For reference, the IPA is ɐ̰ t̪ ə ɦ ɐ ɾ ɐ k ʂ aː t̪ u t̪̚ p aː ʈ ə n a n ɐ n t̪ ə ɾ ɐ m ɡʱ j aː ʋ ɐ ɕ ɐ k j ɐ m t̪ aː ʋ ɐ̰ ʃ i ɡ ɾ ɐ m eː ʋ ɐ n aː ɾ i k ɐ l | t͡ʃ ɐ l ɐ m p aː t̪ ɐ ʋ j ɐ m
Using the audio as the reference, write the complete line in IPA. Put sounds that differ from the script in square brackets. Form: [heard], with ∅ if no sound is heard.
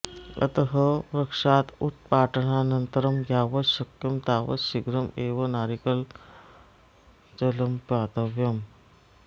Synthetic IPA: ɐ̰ t̪ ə ɦ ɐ ɾ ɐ k ʂ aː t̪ u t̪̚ p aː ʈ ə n a n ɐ n t̪ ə ɾ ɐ m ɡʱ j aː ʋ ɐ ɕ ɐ k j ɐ m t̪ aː ʋ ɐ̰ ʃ i ɡ ɾ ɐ m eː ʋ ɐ n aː ɾ i k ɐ l | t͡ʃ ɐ l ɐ m p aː t̪ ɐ ʋ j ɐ m